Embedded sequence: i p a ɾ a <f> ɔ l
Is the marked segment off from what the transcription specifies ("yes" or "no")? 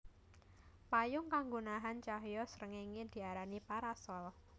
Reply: yes